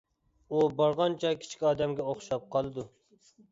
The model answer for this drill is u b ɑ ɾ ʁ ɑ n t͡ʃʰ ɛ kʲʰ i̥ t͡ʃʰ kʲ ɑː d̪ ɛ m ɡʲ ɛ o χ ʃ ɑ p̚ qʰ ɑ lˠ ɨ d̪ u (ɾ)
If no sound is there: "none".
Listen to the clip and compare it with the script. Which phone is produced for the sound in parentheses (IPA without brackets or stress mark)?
none